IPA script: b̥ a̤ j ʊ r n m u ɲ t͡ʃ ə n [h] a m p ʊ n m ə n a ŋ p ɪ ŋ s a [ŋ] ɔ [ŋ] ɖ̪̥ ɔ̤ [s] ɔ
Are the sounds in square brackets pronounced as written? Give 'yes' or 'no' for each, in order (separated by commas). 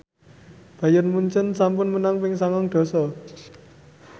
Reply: no, yes, yes, yes